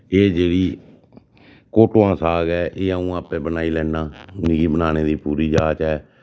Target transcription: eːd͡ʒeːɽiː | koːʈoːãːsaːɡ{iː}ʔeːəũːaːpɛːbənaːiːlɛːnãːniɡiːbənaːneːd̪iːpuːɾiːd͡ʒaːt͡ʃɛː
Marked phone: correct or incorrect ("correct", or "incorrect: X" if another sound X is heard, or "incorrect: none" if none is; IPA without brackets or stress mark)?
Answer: incorrect: ɛː